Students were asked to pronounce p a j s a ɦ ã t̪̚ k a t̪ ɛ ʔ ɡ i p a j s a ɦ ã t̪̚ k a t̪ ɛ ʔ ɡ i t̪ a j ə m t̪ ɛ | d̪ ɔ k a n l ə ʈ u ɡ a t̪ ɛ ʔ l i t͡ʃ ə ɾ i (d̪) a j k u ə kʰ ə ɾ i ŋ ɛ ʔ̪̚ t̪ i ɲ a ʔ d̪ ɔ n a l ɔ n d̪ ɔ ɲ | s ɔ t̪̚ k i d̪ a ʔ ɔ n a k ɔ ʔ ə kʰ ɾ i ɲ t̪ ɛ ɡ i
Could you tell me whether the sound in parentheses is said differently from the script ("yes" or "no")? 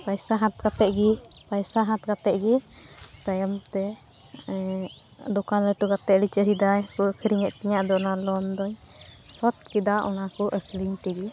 no